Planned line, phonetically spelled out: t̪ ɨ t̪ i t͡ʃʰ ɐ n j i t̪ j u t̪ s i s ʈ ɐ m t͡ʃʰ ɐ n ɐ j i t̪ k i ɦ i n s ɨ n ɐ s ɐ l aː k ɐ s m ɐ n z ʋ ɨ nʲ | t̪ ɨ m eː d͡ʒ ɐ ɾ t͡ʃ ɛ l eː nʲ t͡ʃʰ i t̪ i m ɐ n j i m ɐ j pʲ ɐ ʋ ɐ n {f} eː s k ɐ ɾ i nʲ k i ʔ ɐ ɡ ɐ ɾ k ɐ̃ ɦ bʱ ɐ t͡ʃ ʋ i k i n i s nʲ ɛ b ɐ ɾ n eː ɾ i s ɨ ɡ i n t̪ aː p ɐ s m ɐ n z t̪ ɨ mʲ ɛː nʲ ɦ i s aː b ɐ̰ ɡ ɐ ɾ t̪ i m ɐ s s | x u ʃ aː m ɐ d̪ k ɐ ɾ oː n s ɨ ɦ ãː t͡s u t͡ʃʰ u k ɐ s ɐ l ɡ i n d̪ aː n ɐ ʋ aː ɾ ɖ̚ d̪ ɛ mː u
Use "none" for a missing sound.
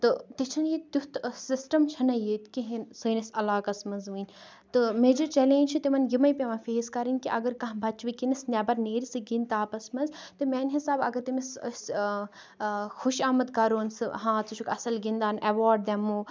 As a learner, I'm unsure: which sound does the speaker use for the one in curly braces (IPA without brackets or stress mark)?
f